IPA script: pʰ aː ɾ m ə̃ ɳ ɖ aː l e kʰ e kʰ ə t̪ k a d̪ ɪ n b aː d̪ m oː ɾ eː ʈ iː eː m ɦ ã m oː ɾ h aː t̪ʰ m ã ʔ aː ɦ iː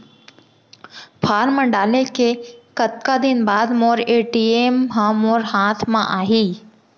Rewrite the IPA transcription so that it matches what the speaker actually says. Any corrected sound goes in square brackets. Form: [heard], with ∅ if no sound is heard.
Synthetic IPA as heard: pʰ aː ɾ m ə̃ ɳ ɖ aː l e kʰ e [k] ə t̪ k a d̪ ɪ n b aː d̪ m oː ɾ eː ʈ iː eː m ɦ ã m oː ɾ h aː t̪ʰ m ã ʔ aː ɦ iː